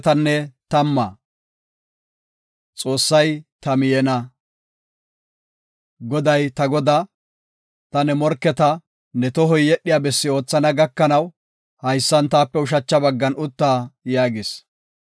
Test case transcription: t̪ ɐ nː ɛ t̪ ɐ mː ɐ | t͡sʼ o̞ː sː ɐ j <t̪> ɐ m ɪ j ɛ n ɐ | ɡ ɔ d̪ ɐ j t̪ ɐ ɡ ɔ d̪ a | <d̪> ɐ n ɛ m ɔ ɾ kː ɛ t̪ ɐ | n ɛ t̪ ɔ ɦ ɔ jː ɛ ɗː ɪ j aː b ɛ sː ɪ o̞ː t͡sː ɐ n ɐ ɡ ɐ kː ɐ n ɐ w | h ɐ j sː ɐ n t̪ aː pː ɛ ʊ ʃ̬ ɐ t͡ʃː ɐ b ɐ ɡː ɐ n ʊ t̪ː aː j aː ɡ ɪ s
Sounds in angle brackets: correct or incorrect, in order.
correct, incorrect

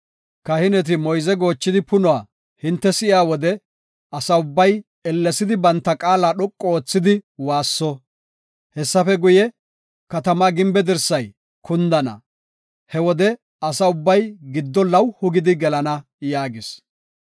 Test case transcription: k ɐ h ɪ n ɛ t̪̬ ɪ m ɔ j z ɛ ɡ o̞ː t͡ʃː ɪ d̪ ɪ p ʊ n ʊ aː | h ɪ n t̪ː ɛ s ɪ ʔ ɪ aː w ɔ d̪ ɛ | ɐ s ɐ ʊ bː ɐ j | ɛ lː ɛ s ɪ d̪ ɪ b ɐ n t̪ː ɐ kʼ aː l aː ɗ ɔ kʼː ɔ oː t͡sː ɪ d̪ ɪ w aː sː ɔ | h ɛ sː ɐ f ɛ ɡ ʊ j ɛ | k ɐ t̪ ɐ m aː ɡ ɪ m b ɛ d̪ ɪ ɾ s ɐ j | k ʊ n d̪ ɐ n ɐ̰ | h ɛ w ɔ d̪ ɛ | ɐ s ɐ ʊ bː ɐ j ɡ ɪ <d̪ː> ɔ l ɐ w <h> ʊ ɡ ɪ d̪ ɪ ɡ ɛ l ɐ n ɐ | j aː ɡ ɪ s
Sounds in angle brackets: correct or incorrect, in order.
correct, correct

